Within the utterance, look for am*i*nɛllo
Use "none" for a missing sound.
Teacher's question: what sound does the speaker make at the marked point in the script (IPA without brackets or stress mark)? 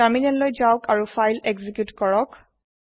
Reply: i